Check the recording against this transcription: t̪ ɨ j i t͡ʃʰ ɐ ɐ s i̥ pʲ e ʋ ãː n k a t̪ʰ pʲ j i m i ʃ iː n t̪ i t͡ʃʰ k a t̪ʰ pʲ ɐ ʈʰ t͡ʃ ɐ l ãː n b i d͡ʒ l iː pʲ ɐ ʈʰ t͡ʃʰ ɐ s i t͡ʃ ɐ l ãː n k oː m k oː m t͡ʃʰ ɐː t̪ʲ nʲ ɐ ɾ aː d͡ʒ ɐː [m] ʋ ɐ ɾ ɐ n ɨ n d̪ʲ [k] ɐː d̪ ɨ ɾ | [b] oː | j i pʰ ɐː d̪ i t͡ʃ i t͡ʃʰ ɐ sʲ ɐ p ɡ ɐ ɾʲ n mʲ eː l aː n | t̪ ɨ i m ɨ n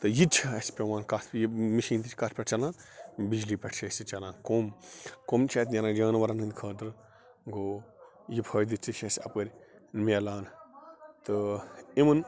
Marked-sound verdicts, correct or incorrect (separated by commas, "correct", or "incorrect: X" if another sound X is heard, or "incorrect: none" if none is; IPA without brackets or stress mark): incorrect: n, incorrect: kʰ, incorrect: ɡ